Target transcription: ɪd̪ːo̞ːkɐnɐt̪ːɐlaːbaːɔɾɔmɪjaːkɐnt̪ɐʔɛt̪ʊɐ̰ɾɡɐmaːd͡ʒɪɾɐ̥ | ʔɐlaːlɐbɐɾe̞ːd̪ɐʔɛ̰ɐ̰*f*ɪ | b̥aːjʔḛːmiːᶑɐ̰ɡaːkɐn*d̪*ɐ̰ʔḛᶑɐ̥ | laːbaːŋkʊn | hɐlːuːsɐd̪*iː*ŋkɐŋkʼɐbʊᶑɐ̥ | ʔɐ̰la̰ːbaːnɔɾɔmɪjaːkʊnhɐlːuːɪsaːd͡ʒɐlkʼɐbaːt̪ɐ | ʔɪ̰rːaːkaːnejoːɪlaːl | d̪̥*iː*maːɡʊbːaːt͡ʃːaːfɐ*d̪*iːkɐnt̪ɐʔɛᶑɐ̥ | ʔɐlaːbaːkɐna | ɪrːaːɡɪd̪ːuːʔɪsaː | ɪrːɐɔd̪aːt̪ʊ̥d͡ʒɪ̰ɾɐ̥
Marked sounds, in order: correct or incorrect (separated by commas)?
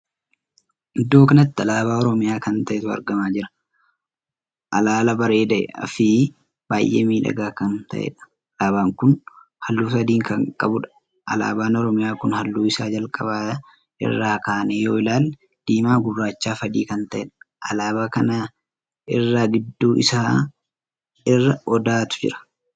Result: correct, incorrect, correct, correct, correct